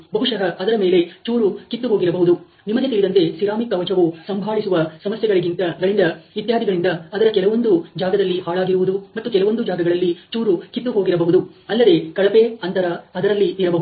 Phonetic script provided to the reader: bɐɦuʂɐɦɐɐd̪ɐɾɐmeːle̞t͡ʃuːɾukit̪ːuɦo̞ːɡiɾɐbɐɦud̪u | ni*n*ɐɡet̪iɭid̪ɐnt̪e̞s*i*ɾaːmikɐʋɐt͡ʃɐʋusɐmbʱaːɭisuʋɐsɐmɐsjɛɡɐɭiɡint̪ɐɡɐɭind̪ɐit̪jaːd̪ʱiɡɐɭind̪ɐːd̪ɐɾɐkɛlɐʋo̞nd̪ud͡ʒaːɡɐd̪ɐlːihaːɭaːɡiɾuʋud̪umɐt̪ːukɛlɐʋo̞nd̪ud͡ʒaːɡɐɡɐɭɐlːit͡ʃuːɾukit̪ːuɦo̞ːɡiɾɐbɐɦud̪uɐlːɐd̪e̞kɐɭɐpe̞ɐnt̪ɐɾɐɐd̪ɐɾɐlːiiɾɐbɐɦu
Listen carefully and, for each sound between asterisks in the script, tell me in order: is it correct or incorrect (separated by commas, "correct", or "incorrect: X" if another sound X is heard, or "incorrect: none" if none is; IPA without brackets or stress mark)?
incorrect: m, correct